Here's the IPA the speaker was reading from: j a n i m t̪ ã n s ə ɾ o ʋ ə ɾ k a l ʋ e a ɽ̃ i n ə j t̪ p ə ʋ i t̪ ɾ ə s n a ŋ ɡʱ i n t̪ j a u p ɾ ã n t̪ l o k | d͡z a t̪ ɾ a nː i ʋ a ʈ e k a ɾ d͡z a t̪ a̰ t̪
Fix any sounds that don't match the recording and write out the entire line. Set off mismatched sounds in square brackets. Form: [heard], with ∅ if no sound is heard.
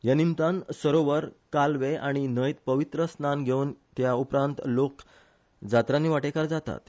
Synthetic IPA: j a n i m t̪ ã n s ə ɾ o ʋ ə ɾ k a l ʋ e a ɽ̃ i n ə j t̪ p ə ʋ i t̪ ɾ ə s n a [n] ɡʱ [e] n t̪ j a u p ɾ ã n t̪ l o k | d͡z a t̪ ɾ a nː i ʋ a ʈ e k a ɾ d͡z a t̪ a̰ t̪